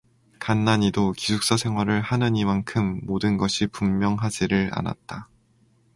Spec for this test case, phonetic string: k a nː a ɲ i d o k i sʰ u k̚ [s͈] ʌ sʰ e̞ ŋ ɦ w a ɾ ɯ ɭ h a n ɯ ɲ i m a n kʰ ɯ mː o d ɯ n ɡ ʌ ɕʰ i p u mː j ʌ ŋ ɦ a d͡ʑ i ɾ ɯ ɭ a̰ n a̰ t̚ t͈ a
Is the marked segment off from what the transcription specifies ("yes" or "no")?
no